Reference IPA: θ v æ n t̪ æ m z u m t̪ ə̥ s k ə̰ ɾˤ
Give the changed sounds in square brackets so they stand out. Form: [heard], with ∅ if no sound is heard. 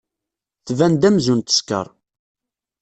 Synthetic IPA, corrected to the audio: θ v æ n [d̪] æ m z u [n] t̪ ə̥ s k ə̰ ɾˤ